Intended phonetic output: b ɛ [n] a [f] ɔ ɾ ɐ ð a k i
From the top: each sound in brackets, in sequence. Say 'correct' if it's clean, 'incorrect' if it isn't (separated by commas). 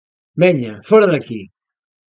incorrect, correct